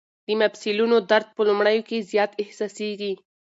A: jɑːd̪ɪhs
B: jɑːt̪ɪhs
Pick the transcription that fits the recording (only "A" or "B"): B